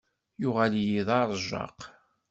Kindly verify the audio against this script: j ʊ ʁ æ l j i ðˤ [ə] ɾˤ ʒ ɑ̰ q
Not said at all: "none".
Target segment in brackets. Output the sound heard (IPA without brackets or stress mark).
ɑ